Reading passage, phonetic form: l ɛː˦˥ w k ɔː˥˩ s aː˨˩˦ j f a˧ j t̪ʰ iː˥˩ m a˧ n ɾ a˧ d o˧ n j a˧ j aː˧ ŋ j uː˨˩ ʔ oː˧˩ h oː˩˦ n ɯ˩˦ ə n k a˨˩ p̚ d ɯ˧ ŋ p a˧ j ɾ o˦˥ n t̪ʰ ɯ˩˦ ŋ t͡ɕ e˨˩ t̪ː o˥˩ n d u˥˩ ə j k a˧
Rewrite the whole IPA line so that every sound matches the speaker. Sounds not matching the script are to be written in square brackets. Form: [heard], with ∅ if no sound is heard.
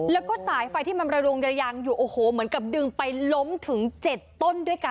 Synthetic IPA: l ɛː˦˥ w k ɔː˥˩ s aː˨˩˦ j f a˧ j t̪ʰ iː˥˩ m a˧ n ɾ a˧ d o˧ [ŋ] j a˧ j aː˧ ŋ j uː˨˩ ʔ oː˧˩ h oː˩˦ [m] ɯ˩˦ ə n k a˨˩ p̚ d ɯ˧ ŋ p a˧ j [l] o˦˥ [m] t̪ʰ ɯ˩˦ ŋ t͡ɕ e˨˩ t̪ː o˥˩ n d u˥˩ ə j k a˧